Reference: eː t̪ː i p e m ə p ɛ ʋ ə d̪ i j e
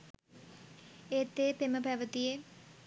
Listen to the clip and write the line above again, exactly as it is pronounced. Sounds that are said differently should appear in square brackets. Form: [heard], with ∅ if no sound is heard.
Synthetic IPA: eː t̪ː [e] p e m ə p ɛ ʋ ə [t̪] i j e